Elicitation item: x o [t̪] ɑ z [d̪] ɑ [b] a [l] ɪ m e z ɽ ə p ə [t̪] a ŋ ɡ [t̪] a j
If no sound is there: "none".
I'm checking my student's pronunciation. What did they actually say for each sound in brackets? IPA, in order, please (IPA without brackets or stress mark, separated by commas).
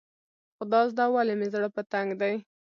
d̪, d̪, w, l, t̪, d̪